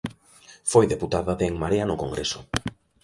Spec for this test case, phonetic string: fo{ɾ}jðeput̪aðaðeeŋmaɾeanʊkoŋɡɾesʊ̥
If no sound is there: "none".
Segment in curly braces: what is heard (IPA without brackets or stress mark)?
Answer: none